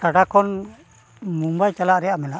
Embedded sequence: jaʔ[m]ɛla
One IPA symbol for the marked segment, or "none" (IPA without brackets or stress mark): m